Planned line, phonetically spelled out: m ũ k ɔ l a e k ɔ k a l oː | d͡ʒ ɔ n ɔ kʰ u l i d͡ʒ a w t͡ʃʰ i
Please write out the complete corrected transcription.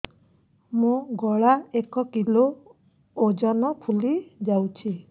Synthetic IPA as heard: m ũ ɡ ɔ ɭ a e k ɔ k i l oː | d͡ʒ ɔ n ɔ pʰ u l i d͡ʒ a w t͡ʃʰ i